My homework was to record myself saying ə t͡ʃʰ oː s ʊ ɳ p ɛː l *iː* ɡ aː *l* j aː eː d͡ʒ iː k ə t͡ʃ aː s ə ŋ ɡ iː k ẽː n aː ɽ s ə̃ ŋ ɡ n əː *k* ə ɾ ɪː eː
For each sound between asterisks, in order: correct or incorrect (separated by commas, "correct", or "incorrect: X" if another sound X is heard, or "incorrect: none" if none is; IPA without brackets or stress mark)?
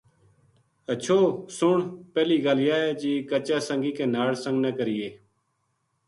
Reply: correct, correct, correct